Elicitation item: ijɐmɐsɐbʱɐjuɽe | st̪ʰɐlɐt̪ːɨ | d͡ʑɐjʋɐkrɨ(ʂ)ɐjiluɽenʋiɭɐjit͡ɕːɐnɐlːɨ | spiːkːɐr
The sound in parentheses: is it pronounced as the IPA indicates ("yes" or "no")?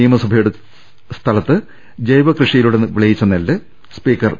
yes